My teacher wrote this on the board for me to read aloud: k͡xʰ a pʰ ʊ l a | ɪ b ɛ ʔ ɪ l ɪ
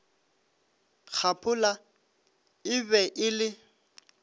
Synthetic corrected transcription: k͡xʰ a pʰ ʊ l a | ɪ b ɛ ʔ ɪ l ɪ